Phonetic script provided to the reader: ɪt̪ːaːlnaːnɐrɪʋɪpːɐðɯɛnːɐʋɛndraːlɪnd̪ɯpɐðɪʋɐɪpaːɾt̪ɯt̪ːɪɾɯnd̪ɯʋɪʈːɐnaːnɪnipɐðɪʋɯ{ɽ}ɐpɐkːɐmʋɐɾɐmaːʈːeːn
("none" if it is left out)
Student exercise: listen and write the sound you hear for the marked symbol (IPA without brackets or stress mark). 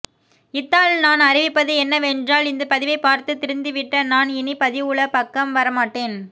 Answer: ɭ